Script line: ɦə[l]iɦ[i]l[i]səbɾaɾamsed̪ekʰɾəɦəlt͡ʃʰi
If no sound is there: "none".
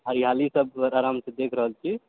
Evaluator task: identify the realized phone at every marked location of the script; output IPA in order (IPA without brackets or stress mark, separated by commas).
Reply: ɾ, a, i